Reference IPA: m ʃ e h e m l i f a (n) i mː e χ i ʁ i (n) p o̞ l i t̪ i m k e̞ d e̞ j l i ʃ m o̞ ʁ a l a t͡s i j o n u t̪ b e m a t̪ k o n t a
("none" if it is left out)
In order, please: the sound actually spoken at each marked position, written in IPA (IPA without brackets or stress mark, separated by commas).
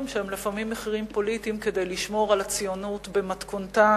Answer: m, m